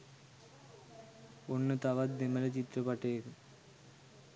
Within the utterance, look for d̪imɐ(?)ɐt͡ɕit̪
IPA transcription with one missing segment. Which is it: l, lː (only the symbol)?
l